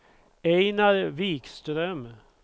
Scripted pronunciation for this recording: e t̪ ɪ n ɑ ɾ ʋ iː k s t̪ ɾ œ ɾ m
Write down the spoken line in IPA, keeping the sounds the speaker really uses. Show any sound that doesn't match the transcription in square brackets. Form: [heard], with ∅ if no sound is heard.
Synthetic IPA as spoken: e [∅] ɪ n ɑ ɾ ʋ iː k s t̪ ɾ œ [∅] m